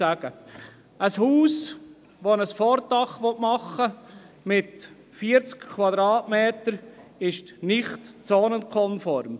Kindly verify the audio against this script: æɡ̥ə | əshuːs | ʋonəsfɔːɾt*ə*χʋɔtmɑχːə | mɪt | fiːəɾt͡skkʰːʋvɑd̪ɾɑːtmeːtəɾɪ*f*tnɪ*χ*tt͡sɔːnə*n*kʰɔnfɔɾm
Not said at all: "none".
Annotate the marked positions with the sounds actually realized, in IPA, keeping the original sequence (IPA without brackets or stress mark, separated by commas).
ɑ, ʃ, χ, n